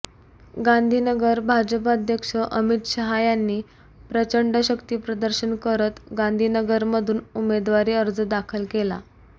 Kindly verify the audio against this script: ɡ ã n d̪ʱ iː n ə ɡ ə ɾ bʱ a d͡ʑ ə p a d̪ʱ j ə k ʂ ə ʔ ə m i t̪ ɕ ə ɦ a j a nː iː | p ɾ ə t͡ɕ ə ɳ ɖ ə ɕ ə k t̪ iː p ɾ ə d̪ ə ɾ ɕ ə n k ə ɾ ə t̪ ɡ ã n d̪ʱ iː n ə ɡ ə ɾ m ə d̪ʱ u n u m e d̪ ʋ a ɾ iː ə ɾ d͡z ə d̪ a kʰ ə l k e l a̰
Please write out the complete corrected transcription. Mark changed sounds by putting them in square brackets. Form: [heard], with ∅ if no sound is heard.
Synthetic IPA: ɡ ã n d̪ʱ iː n ə ɡ ə ɾ bʱ a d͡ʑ ə p a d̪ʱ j ə k ʂ ə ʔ ə m i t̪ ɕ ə ɦ a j a nː iː | p ɾ ə t͡ɕ ə ɳ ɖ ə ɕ ə k t̪ iː p ɾ ə d̪ ə ɾ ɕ ə n k ə ɾ ə t̪ ɡ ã n d̪ʱ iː n ə ɡ ə ɾ m ə d̪ʱ [uː] n u m e d̪ ʋ a ɾ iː ə ɾ d͡z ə d̪ a kʰ ə l k e l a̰

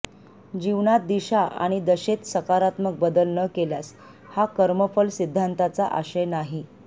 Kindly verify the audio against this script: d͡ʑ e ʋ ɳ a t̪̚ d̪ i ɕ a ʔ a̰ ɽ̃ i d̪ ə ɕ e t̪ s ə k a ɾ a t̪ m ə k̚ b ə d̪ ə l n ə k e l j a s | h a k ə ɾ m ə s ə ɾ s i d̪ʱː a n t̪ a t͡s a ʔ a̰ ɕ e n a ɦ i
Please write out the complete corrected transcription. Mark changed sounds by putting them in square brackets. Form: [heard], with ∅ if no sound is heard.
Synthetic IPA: d͡ʑ [i] ʋ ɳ a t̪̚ d̪ i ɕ a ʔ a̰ ɽ̃ i d̪ ə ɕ e t̪ s ə k a ɾ a t̪ m ə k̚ b ə d̪ ə l n ə k e l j a s | h a k ə ɾ m ə [f] ə [l] s i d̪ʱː a n t̪ a t͡s a ʔ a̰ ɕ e n a ɦ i

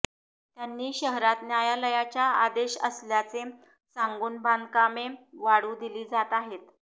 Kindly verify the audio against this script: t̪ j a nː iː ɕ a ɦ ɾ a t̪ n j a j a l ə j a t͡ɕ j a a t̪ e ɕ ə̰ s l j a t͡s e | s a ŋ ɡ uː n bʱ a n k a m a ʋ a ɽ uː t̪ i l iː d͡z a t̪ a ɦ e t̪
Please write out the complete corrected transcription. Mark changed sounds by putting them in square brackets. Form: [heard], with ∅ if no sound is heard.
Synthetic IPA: t̪ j a nː iː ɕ [ə] ɦ ɾ a t̪ n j a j a l ə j a t͡ɕ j a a [d̪] e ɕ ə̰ s l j a t͡s e | s a ŋ ɡ uː n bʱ a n k a m [e] ʋ a ɽ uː [d̪] i l iː d͡z a t̪ a ɦ e t̪

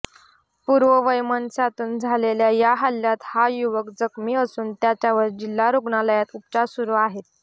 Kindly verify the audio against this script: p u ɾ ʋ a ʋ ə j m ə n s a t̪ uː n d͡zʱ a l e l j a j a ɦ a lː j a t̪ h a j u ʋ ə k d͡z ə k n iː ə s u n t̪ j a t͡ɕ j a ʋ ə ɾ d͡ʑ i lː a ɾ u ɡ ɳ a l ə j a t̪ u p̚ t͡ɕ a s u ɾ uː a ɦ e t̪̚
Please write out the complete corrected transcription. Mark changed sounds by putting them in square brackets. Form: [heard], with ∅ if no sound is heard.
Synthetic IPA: p u ɾ ʋ [ə] ʋ ə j m ə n s a t̪ uː n d͡zʱ a l e l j a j a ɦ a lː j a t̪ h a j u ʋ ə k d͡z ə k [m] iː ə s [uː] n t̪ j a t͡ɕ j a ʋ ə ɾ d͡ʑ i lː a ɾ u ɡ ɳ a l ə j a t̪ u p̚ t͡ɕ a s u ɾ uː a ɦ e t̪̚

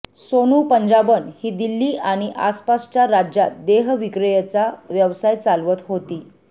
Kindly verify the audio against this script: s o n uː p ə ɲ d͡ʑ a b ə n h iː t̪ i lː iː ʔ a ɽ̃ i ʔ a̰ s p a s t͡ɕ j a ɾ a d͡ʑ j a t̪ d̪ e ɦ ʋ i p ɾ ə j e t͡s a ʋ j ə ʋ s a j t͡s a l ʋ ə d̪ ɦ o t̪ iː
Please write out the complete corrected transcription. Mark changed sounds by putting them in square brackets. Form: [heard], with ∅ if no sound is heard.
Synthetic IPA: s o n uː p ə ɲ d͡ʑ a b ə n h iː [d̪] i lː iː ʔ a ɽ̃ i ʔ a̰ s p a s t͡ɕ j a ɾ a d͡ʑ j a t̪ d̪ e ɦ ʋ i [k] ɾ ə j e t͡s a ʋ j ə ʋ s a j t͡s a l ʋ ə [t̪] ɦ o t̪ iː

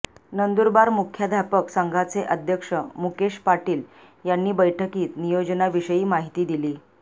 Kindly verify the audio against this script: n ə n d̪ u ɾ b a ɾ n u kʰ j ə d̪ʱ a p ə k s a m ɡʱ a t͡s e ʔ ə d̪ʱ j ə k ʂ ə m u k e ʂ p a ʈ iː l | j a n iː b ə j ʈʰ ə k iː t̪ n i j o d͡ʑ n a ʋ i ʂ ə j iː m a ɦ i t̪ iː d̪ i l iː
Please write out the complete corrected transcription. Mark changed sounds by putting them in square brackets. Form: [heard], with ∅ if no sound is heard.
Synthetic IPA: n ə n d̪ u ɾ b a ɾ [m] u kʰ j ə d̪ʱ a p ə k s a [ŋ] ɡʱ a t͡s e ʔ ə d̪ʱ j ə k ʂ ə m u k e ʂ p a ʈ iː l | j a [nː] iː b ə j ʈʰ ə k iː t̪ n i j o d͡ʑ n a ʋ i ʂ ə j iː m a ɦ i t̪ iː d̪ i l iː

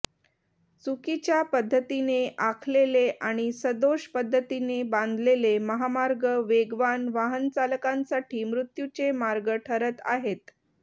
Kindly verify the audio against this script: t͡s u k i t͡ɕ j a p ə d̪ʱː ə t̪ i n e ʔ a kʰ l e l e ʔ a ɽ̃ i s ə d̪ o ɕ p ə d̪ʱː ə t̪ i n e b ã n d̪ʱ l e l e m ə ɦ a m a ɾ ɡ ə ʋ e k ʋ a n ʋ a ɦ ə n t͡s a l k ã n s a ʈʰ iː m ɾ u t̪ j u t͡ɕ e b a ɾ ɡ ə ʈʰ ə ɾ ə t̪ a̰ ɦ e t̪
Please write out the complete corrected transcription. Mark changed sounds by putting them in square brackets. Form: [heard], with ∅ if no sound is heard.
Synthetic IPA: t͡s u k i t͡ɕ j a p ə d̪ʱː ə t̪ i n e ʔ a kʰ l e l e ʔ a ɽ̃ i s ə d̪ o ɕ p ə d̪ʱː ə t̪ i n e b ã n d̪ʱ l e l e m ə ɦ a m a ɾ ɡ ə ʋ e [ɡ] ʋ a n ʋ a ɦ ə n t͡s a l k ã n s a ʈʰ iː m ɾ u t̪ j u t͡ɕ e [m] a ɾ ɡ ə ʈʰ ə ɾ ə t̪ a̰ ɦ e t̪

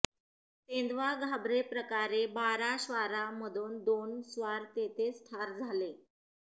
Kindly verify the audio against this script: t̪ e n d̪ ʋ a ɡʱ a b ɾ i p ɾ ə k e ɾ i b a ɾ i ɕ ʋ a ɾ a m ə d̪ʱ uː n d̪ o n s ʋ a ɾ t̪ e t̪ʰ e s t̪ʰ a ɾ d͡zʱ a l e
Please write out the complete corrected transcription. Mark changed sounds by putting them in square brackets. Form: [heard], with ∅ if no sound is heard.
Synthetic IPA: t̪ e n d̪ ʋ a ɡʱ a b ɾ [e] p ɾ ə k [a] ɾ [e] b a ɾ [a] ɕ ʋ a ɾ a m ə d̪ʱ uː n d̪ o n s ʋ a ɾ t̪ e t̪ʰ e s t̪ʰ a ɾ d͡zʱ a l e

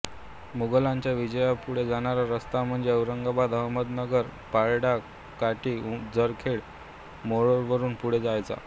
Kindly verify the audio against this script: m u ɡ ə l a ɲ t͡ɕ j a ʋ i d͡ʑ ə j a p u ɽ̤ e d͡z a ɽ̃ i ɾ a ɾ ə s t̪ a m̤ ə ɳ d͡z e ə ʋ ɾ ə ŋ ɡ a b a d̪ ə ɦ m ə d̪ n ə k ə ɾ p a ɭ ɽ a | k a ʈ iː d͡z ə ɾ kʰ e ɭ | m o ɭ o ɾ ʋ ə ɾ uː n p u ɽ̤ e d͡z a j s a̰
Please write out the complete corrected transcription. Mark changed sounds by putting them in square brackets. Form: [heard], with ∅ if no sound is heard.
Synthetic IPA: m u ɡ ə l a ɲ t͡ɕ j a ʋ i d͡ʑ ə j a p u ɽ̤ e d͡z a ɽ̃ [a] ɾ a ɾ ə s t̪ a m̤ ə ɳ d͡z e ə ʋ ɾ ə ŋ ɡ a b a d̪ ə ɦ m ə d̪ n ə [ɡ] ə ɾ p a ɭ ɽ a | k a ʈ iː d͡z ə ɾ kʰ e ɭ | m o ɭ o ɾ ʋ ə ɾ uː n p u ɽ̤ e d͡z a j [t͡s] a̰

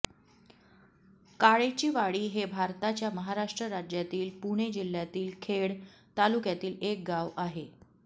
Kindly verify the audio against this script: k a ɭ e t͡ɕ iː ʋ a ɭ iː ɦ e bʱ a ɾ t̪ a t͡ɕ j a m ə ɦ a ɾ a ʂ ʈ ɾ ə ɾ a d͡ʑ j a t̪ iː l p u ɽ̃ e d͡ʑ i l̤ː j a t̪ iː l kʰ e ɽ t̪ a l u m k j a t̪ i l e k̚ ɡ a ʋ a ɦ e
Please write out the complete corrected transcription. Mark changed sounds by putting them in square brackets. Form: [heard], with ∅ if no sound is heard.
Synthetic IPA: k a ɭ e t͡ɕ iː ʋ a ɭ iː ɦ e bʱ a ɾ t̪ a t͡ɕ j a m ə ɦ a ɾ a ʂ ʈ ɾ ə ɾ a d͡ʑ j a t̪ iː l p u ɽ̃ e d͡ʑ i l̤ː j a t̪ iː l kʰ e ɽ t̪ a l u [∅] k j a t̪ [iː] l e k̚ ɡ a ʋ a ɦ e

